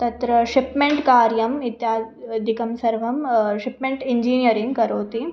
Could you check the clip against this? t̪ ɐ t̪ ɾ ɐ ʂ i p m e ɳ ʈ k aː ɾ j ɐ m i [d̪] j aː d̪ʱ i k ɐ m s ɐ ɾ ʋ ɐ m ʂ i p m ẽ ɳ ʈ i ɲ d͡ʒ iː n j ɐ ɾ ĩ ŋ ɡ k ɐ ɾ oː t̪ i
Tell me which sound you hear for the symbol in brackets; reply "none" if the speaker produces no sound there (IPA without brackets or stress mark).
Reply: t̪